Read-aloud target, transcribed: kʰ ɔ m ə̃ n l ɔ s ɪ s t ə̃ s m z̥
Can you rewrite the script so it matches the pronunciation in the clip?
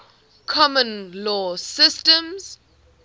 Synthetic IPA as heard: kʰ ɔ m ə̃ n l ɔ s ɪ s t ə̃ m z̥